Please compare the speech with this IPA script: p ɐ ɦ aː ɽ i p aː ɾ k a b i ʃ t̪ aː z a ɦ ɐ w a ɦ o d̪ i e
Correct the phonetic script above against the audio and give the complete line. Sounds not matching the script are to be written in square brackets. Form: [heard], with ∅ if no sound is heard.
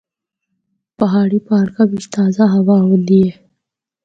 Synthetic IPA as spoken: p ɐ ɦ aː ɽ i p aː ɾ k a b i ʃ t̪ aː z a ɦ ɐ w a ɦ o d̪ i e